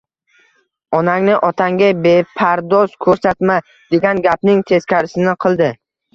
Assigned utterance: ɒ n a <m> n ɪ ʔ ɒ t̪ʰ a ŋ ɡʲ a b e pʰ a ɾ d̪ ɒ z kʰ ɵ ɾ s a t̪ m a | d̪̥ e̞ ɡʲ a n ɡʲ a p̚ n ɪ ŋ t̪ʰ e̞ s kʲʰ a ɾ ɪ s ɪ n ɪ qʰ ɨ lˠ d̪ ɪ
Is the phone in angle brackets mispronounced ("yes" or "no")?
yes